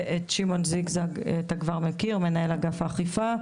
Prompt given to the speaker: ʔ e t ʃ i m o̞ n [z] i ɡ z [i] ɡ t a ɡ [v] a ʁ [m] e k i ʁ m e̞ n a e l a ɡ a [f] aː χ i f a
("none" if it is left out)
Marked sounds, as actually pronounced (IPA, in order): z, a, v, m, f

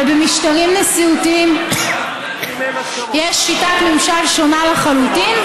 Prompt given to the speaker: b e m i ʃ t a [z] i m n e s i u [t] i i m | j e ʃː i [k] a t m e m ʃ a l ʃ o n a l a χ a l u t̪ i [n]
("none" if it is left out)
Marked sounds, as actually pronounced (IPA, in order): ʁ, t, t, n

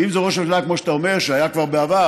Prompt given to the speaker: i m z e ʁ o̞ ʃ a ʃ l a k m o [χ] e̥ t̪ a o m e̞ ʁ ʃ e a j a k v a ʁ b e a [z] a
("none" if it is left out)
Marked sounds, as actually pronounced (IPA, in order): ʃ, v

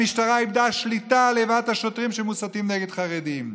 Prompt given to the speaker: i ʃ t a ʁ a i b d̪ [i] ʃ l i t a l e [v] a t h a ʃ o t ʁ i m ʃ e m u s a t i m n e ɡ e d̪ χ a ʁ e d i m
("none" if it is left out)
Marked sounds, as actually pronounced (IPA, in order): a, v

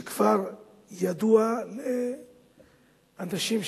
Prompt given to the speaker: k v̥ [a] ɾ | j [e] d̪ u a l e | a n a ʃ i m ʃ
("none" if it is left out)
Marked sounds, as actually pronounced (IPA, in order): a, a

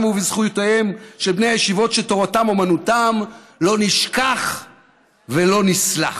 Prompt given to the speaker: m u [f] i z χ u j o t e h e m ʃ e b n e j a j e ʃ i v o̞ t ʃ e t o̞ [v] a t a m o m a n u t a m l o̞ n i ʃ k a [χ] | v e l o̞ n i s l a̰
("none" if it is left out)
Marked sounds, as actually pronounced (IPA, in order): v, ʁ, χ

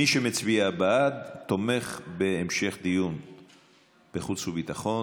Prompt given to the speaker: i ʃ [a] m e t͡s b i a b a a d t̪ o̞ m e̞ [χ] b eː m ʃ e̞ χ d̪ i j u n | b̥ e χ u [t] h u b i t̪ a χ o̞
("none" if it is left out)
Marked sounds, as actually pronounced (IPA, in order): e, χ, t͡s

